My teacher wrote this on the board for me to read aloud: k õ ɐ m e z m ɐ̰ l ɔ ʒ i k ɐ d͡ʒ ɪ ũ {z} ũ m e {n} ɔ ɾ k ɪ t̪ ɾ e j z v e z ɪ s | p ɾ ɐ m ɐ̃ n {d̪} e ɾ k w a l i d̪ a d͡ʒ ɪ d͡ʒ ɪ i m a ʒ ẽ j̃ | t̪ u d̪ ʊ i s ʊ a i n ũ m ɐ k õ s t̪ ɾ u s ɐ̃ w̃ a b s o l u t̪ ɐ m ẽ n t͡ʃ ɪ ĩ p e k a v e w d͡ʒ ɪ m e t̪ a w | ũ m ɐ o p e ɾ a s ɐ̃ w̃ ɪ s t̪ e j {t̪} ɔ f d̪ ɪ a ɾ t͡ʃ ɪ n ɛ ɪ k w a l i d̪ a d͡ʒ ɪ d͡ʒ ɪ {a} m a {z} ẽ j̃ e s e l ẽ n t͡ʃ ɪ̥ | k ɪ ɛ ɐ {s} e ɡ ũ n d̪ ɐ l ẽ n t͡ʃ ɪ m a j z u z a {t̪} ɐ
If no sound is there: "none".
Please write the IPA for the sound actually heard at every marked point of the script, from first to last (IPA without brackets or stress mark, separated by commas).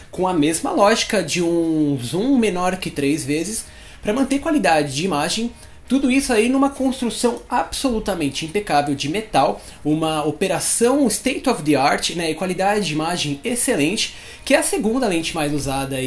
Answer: z, n, t̪, t̪, i, ʒ, s, d̪